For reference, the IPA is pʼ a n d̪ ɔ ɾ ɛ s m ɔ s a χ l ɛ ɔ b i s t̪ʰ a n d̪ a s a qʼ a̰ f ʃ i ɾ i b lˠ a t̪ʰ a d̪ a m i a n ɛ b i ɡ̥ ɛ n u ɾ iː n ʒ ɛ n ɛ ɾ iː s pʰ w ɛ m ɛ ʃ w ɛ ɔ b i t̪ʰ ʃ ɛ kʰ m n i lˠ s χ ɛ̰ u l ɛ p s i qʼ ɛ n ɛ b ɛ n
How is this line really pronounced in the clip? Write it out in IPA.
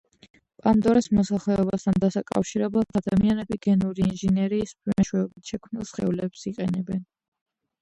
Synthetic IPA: pʼ a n d̪ ɔ ɾ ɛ s m ɔ s a χ l ɛ ɔ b a s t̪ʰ a n d̪ a s a kʼ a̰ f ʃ i ɾ ɛ b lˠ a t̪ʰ a d̪ a m i a n ɛ b i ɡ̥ ɛ n u ɾ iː n ʒ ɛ n ɛ ɾ iː s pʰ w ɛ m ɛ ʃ w ɛ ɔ b i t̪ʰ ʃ ɛ kʰ m n i lˠ s χ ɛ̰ u l ɛ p s i qʼ ɛ n ɛ b ɛ n